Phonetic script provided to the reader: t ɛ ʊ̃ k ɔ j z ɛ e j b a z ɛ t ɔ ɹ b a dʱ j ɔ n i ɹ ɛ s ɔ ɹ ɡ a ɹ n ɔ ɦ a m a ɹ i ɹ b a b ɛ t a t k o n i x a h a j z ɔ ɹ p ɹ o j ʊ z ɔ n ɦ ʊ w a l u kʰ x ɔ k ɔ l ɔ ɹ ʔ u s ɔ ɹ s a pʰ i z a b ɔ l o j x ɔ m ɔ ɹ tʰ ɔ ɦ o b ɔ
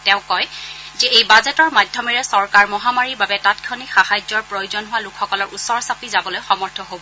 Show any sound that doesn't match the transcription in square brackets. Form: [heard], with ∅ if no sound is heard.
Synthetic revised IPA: t ɛ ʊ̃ k ɔ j z ɛ e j b a z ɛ t ɔ ɹ [m] a dʱ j ɔ [m] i ɹ ɛ s ɔ ɹ [k] a ɹ [m] ɔ ɦ a m a ɹ i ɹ b a b ɛ t a t [kʰ] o n i x a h a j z ɔ ɹ p ɹ o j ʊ z ɔ n ɦ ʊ w a l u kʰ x ɔ k ɔ l ɔ ɹ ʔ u s ɔ ɹ s a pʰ i z a b ɔ l o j x ɔ m ɔ ɹ tʰ ɔ ɦ o b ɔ